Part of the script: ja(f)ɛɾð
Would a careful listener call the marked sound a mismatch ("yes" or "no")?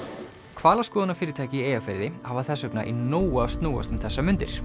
no